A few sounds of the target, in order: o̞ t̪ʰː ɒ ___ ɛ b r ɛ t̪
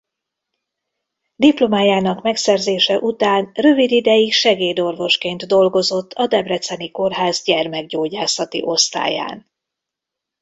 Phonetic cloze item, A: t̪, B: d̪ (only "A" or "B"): B